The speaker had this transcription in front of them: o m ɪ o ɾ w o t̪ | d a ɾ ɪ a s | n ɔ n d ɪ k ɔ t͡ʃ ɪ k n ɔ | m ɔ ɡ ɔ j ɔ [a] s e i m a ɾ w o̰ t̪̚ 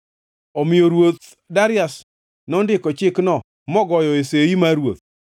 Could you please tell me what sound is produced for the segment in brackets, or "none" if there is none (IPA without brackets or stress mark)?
e